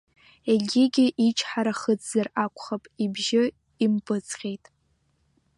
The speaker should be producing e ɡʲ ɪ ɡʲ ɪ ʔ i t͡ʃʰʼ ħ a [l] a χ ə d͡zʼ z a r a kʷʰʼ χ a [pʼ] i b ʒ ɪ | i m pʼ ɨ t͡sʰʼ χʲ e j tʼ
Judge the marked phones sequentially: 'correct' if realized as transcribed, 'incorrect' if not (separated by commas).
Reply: incorrect, correct